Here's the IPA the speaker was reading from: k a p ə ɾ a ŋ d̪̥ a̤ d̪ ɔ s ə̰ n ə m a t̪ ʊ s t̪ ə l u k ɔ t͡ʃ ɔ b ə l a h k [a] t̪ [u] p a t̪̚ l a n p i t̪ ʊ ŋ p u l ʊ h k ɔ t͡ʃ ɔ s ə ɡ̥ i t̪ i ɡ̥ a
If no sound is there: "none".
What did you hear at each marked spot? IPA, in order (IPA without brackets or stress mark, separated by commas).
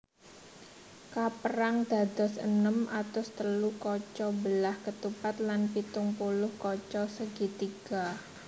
ə, u